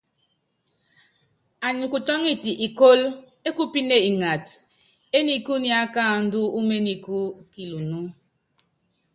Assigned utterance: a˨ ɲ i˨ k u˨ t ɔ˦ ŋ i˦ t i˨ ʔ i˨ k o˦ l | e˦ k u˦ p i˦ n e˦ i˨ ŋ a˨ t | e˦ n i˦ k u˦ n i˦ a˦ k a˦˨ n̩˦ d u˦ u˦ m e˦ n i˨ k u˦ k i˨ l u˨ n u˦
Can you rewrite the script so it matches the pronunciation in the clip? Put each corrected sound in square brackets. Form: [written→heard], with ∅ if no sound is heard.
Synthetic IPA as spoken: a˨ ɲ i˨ k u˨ t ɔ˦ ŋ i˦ t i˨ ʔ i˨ k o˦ l | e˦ k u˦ p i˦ n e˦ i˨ ŋ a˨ t | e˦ n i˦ k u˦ n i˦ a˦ k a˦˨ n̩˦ d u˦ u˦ m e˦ n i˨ k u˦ k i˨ l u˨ n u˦